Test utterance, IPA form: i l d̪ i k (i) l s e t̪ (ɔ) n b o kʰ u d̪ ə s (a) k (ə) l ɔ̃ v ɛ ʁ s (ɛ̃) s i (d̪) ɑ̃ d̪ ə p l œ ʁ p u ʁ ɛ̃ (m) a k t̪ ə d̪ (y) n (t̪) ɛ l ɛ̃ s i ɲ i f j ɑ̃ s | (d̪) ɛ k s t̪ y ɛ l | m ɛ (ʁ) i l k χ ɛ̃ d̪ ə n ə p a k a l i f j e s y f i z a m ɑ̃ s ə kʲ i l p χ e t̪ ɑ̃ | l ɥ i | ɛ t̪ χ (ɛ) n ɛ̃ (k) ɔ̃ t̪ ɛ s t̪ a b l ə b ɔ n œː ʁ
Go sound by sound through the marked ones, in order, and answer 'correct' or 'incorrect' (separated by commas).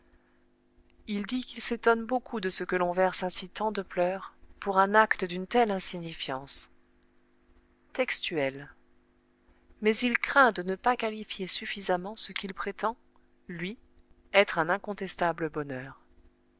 correct, correct, incorrect, correct, correct, incorrect, incorrect, correct, correct, incorrect, incorrect, incorrect, correct